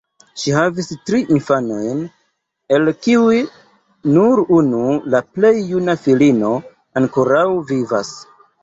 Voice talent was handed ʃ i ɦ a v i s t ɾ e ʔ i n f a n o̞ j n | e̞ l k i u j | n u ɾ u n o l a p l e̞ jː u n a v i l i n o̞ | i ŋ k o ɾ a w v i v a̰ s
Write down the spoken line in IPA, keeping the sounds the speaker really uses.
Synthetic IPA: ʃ i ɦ a v i s t ɾ i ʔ i n f a n o̞ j n | e̞ l k i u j | n u ɾ u n u l a p l e̞ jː u n a f i l i n o̞ | a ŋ k o ɾ a w v i v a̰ s